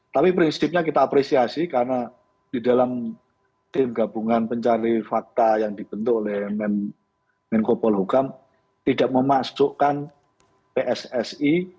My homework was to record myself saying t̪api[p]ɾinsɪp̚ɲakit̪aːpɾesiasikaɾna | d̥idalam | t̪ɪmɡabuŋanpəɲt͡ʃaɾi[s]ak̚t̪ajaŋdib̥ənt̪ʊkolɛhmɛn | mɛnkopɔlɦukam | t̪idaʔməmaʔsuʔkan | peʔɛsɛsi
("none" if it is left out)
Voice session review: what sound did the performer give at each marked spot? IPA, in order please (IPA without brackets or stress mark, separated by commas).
p, f